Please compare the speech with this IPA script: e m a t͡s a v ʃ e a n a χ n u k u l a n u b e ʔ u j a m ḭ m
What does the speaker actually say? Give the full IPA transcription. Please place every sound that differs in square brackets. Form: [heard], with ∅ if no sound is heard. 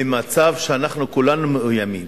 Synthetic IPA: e m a t͡s a v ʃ e a n a χ n u k u l a n u [m] e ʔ u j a m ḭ m